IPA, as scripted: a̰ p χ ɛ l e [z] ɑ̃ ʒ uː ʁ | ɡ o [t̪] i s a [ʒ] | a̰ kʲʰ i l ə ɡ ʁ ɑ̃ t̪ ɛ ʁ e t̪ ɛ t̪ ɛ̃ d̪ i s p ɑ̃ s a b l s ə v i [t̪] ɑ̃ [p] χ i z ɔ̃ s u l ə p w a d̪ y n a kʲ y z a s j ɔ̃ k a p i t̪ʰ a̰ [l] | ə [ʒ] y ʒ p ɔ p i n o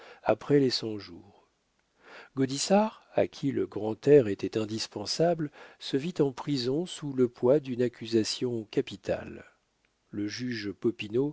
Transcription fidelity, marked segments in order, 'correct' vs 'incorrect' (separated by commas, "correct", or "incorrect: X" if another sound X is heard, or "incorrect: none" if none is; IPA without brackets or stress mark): incorrect: s, incorrect: d̪, incorrect: ʁ, correct, correct, incorrect: lː, correct